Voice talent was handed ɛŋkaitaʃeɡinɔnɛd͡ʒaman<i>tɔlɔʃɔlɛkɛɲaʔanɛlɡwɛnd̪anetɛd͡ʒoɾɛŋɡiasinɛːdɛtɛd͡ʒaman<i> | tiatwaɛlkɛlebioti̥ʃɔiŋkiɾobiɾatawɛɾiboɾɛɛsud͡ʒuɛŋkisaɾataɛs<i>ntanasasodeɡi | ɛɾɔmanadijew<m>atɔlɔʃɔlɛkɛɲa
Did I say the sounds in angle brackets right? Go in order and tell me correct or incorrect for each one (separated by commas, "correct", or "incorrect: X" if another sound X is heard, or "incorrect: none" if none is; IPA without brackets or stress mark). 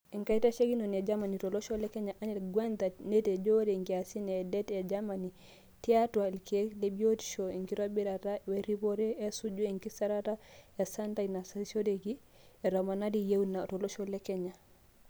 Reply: correct, correct, incorrect: a, incorrect: n